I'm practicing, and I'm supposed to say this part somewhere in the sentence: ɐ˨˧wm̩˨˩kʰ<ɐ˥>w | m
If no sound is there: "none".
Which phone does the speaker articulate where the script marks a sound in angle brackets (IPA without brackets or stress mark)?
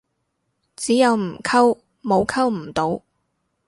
ɐ˥